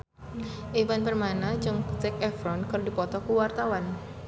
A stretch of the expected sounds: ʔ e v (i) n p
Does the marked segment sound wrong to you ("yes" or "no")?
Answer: yes